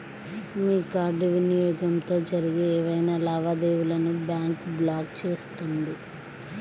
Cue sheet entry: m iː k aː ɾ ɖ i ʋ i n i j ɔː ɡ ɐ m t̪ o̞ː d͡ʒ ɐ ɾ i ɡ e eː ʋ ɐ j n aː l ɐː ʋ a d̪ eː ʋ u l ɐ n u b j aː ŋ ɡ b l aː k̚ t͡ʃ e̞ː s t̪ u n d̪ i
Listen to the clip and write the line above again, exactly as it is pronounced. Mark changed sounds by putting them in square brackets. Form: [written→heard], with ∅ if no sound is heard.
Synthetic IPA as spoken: m iː k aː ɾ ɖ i ʋ i n i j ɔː ɡ ɐ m t̪ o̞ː d͡ʒ ɐ ɾ i ɡ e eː ʋ ɐ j n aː l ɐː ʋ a d̪ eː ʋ u l ɐ n u b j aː ŋ [ɡ→k] b l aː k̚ t͡ʃ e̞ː s t̪ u n d̪ i